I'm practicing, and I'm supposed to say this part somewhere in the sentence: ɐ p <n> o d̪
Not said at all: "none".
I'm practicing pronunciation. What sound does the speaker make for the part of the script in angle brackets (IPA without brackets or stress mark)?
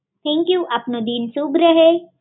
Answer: n